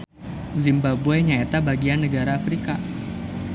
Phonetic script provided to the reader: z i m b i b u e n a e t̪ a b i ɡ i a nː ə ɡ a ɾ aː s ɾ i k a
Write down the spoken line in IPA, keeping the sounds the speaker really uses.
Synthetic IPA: z i m b a b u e ɲ a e t̪ a b a ɡ i a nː ə ɡ a ɾ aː f ɾ i k a